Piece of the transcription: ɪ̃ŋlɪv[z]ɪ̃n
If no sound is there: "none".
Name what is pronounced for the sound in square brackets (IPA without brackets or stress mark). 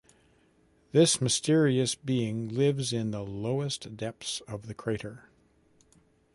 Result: z